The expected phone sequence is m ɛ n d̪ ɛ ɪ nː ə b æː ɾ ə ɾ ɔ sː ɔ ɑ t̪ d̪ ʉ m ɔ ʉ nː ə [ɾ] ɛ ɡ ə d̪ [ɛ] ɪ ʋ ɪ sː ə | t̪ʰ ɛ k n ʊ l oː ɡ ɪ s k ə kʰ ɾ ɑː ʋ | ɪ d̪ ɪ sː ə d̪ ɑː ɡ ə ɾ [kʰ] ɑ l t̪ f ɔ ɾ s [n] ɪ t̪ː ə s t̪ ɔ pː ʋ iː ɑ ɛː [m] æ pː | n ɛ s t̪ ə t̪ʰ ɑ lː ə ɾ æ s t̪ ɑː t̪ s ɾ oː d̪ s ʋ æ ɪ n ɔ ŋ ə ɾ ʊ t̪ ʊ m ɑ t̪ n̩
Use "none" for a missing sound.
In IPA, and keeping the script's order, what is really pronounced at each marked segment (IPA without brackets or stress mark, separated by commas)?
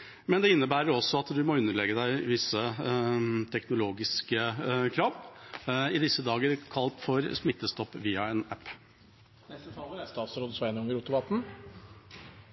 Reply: ɭ, æ, kʰ, m, n